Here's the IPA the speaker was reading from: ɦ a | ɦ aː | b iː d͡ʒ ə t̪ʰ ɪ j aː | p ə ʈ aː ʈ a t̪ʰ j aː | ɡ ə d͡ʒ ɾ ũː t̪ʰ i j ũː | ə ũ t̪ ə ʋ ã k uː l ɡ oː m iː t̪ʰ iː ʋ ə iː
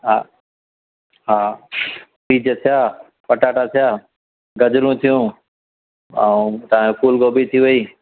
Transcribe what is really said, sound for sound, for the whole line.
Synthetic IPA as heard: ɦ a | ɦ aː | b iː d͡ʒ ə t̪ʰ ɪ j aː | p ə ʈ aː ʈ a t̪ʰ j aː | ɡ ə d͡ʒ ɾ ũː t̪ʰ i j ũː | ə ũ t̪ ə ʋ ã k uː l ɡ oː b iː t̪ʰ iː ʋ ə iː